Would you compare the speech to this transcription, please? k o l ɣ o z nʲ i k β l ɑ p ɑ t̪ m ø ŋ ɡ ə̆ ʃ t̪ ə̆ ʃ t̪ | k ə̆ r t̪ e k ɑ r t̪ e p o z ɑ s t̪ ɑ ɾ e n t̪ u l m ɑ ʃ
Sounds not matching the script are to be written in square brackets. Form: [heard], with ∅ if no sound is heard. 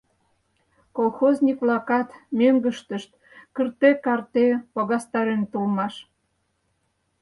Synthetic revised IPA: k o l [x] o z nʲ i k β l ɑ [k] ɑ t̪ m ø ŋ ɡ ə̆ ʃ t̪ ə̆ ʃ t̪ | k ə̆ r t̪ e k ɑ r t̪ e p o [ɣ] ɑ s t̪ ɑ ɾ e n t̪ u l m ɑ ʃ